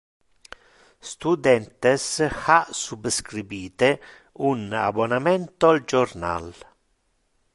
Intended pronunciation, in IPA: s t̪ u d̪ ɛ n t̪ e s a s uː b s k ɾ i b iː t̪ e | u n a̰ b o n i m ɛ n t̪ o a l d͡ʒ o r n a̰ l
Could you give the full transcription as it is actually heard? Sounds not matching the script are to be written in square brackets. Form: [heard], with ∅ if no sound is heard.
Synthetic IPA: s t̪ u d̪ ɛ n t̪ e s a s [u] b s k ɾ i b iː t̪ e | u n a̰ b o n [a] m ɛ n t̪ o a l d͡ʒ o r n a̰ l

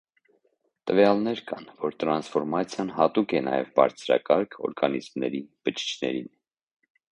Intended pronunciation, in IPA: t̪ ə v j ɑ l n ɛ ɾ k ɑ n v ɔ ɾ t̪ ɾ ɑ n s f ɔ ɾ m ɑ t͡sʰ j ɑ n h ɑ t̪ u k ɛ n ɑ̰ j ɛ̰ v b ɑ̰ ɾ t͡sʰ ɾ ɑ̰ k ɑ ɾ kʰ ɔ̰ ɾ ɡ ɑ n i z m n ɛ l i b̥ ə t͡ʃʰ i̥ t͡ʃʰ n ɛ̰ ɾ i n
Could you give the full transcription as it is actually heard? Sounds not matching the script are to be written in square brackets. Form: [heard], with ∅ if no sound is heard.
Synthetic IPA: t̪ ə v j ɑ l n ɛ ɾ k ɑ n v ɔ ɾ t̪ ɾ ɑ n s f ɔ ɾ m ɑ t͡sʰ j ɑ n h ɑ t̪ u k ɛ n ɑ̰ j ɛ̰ v b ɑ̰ ɾ t͡sʰ ɾ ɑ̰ k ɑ ɾ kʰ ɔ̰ ɾ ɡ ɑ n i z m n ɛ [ɾ] i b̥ ə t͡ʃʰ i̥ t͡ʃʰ n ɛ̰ ɾ i n

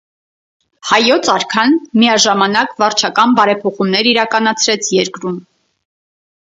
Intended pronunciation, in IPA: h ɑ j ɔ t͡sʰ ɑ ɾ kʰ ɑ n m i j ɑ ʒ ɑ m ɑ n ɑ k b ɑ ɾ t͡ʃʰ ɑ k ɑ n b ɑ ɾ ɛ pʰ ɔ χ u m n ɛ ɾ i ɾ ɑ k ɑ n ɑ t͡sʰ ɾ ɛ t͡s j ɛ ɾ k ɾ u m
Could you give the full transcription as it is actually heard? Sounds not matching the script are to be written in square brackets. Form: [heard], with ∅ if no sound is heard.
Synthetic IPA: h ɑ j ɔ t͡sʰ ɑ ɾ kʰ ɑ n m i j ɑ ʒ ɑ m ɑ n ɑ k [v] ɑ ɾ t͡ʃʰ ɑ k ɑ n b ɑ ɾ ɛ pʰ ɔ χ u m n ɛ ɾ i ɾ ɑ k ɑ n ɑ t͡sʰ ɾ ɛ [t͡sʰ] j ɛ ɾ k ɾ u m

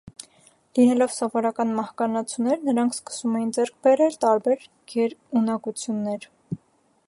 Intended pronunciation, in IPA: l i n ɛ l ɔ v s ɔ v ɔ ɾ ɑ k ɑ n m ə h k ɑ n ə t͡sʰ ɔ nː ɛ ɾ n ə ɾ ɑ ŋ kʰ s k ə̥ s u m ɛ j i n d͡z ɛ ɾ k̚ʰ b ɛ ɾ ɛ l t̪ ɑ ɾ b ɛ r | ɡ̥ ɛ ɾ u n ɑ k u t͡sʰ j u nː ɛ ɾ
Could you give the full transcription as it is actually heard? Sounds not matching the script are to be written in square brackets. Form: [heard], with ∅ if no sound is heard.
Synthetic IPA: l i n ɛ l ɔ v s ɔ v ɔ ɾ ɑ k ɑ n m [ɑ] h k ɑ n [ɑ] t͡sʰ [u] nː ɛ ɾ n ə ɾ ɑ ŋ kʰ s k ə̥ s u m ɛ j i n d͡z ɛ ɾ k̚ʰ b ɛ ɾ ɛ l t̪ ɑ ɾ b ɛ [ɾ] | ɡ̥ ɛ ɾ u n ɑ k u t͡sʰ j u nː ɛ ɾ

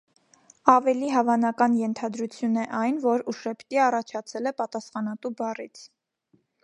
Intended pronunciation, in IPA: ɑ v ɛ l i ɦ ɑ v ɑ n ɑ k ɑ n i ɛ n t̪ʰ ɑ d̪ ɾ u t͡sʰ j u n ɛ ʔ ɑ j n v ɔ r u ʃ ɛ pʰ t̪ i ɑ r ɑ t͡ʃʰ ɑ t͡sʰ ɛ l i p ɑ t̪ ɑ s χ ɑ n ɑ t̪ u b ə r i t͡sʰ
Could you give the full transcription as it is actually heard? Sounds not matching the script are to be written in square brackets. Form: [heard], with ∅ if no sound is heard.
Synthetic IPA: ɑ v ɛ l i ɦ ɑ v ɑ n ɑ k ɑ n [j] ɛ n t̪ʰ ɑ d̪ ɾ u t͡sʰ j u n ɛ ʔ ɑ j n v ɔ [ɾ] u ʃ ɛ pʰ t̪ i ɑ r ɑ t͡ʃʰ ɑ t͡sʰ ɛ l [ɛ] p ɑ t̪ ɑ s χ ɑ n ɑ t̪ u b [ɑ] r i t͡sʰ

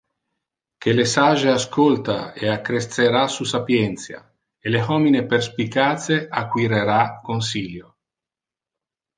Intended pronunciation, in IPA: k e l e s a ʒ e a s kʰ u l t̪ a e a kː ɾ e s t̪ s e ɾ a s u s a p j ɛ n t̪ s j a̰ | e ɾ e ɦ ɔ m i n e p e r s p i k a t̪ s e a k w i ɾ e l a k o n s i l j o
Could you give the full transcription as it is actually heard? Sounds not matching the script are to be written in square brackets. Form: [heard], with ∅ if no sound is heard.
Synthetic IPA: k e l e s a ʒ e a s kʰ [o] l t̪ a e a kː ɾ e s t̪ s e ɾ a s u s a p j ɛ n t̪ s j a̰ | e [l] e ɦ ɔ m i n e p e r s p i k a t̪ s e a k w i ɾ e [ɾ] a k o n s i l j o

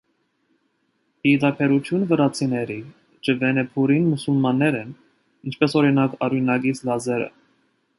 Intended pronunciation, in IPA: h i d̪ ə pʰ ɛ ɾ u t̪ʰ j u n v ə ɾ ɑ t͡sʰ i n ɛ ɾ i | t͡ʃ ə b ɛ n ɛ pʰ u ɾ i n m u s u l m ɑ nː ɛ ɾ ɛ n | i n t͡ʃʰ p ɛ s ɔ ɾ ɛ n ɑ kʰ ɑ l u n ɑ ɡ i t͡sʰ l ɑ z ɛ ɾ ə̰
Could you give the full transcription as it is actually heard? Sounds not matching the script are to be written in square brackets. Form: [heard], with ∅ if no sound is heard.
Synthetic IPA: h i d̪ [ɑ] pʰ ɛ ɾ u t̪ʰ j u n v ə ɾ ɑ t͡sʰ i n ɛ ɾ i | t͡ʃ ə [v] ɛ n ɛ pʰ u ɾ i n m u s u l m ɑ nː ɛ ɾ ɛ n | i n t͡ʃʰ p ɛ s ɔ ɾ [i] n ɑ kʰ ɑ [ɾ] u n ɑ ɡ i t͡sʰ l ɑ z ɛ ɾ ə̰

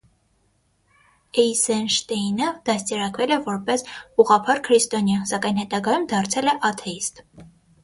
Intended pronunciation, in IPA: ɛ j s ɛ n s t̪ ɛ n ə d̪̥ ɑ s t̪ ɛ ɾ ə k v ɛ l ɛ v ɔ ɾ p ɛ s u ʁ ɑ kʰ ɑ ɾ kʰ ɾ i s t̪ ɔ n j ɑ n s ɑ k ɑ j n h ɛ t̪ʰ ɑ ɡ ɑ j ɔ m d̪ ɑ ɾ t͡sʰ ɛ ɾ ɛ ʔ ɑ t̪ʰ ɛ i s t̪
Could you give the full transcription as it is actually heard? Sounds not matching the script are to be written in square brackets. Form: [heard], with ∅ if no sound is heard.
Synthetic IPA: ɛ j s ɛ n [ʃ] t̪ ɛ n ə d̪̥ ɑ s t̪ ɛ ɾ [ɑ] k v ɛ l ɛ v ɔ ɾ p ɛ s u ʁ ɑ [pʰ] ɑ ɾ kʰ ɾ i s t̪ ɔ n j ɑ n s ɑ k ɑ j n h ɛ [t̪] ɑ ɡ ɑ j [u] m d̪ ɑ ɾ t͡sʰ ɛ [l] ɛ ʔ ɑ t̪ʰ ɛ i s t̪

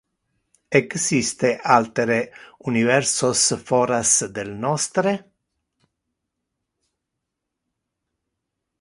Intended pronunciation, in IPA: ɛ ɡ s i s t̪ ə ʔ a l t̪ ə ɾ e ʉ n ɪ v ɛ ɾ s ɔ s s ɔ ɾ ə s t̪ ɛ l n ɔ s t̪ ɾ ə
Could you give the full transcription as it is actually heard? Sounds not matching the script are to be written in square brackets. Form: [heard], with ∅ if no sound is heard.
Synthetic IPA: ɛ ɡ s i s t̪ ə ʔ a l t̪ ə ɾ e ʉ n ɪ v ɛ ɾ s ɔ s [f] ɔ ɾ [a] s [d̪] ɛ l n ɔ s t̪ ɾ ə

